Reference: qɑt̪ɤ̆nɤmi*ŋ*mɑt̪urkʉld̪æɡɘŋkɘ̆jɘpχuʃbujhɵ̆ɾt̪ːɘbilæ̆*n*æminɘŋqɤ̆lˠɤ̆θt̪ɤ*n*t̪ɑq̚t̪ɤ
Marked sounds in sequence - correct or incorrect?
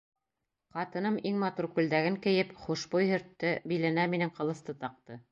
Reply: correct, correct, incorrect

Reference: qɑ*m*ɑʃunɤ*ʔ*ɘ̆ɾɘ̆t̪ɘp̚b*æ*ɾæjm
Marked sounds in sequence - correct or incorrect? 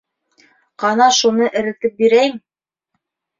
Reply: incorrect, correct, incorrect

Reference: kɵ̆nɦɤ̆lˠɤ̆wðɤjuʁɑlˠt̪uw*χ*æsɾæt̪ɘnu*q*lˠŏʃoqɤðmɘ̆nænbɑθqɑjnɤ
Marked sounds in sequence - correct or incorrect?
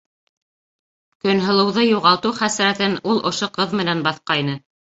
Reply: correct, incorrect

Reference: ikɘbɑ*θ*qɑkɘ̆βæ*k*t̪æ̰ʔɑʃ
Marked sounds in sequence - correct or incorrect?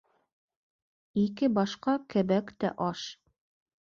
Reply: incorrect, correct

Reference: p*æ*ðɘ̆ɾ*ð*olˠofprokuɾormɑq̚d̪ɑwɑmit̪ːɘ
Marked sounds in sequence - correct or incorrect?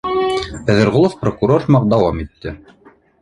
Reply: correct, incorrect

